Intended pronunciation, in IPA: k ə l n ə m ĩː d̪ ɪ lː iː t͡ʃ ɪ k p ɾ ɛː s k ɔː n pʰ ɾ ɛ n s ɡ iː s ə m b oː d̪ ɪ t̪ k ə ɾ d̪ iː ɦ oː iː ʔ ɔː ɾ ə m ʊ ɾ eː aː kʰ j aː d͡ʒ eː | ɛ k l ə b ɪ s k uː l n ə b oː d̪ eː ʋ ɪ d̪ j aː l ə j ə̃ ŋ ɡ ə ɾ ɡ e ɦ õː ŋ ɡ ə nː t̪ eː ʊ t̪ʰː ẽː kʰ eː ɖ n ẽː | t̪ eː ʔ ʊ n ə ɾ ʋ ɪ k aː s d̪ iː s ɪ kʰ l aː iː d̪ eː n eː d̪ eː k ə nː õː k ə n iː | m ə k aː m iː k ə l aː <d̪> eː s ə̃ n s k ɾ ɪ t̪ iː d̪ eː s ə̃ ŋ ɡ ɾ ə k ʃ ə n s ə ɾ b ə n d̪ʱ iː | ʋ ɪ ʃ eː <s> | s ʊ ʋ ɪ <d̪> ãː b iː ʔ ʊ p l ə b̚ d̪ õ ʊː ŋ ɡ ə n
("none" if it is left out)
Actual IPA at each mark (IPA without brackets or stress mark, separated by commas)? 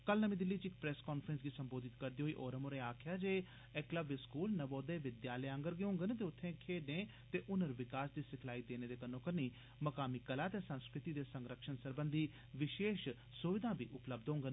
t̪, ʃ, d̪